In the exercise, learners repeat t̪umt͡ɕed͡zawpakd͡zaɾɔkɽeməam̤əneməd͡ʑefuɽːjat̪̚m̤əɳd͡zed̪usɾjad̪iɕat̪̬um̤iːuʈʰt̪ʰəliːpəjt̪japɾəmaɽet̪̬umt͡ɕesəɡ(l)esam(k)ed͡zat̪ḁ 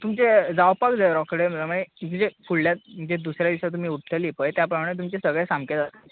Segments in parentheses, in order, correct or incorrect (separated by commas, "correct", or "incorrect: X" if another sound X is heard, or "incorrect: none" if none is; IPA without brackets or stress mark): incorrect: ɭ, correct